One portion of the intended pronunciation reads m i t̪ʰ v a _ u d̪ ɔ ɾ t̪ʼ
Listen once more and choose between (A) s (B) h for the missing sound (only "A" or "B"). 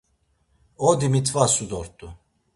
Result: A